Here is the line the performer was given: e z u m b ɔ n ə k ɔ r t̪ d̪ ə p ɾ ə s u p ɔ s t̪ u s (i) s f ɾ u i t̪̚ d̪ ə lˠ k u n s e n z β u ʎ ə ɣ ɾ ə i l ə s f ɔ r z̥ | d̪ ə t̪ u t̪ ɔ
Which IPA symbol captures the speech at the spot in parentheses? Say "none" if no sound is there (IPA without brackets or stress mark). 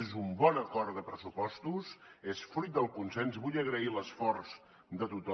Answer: e